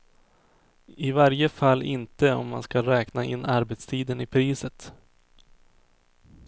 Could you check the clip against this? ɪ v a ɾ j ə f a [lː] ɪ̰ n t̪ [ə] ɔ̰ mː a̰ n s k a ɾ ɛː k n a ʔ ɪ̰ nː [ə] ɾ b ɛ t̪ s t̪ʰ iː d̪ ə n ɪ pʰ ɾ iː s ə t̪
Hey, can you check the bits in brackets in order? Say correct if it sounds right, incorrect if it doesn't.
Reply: correct, correct, incorrect: a

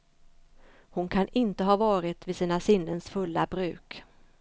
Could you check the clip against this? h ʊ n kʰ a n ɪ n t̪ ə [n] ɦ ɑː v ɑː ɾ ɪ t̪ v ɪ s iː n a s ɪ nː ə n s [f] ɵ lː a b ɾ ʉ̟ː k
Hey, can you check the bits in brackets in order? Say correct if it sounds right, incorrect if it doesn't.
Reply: incorrect: none, correct

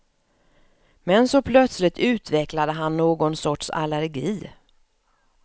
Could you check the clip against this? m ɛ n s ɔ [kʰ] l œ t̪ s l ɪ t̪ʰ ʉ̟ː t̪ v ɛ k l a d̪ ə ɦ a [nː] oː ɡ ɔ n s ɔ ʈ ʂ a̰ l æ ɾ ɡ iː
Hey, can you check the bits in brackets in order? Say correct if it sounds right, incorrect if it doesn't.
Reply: incorrect: pʰ, correct

